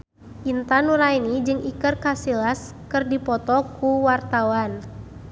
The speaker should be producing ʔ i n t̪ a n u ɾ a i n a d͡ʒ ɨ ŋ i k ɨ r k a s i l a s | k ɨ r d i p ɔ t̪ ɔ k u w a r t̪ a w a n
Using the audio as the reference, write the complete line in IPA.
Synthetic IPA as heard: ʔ i n t̪ a n u ɾ a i n i d͡ʒ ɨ ŋ i k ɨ r k a s i l a s | k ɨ r d i p ɔ t̪ ɔ k u w a r t̪ a w a n